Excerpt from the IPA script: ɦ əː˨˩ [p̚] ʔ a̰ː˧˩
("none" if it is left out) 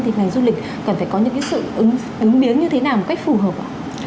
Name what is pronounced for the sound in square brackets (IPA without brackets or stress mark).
p̚